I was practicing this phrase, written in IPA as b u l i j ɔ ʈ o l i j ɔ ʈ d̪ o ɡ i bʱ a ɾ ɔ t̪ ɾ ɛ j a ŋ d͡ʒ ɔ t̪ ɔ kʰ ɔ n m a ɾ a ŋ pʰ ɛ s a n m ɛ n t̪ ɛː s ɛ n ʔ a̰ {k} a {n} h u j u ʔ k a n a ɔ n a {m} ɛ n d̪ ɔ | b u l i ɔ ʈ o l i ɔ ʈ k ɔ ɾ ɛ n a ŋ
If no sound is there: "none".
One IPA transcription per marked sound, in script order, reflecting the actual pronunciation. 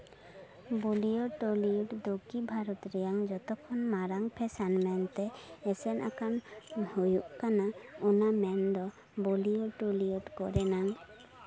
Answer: k, n, m

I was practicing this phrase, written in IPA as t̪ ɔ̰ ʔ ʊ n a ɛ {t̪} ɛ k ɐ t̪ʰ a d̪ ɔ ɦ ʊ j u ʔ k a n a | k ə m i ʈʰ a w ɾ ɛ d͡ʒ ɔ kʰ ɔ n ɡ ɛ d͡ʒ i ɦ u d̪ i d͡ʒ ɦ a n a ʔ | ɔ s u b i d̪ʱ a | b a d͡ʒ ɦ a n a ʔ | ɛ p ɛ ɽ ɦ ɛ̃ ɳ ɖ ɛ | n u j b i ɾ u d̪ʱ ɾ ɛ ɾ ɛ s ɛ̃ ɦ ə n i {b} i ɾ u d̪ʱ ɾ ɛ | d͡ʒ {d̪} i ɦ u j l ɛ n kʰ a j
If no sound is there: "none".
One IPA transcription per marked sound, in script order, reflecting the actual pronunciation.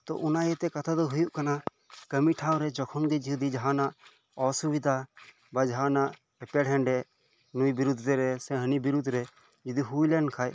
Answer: t̪, b, d̪

